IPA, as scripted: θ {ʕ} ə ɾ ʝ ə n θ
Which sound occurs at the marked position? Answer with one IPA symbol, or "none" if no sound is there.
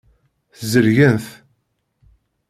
z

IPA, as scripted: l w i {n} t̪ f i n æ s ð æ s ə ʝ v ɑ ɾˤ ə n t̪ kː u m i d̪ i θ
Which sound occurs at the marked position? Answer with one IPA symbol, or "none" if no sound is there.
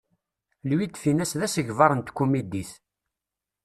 none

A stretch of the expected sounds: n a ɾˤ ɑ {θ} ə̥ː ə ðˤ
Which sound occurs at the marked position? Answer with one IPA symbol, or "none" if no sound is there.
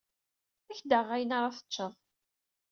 θ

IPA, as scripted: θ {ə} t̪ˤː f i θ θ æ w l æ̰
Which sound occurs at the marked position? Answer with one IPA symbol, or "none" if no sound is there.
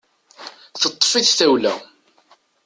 ə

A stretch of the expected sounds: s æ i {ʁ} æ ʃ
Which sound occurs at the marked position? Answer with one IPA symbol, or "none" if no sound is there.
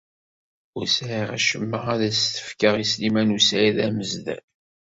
ʁ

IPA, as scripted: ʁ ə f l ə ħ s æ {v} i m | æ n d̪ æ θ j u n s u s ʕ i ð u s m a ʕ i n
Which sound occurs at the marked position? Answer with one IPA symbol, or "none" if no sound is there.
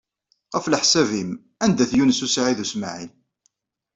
v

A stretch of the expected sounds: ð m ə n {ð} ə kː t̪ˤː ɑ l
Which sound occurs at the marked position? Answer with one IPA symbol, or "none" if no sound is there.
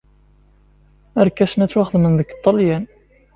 ð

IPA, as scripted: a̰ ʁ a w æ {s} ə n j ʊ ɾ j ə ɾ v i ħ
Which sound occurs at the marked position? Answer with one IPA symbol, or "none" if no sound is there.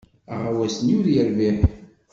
s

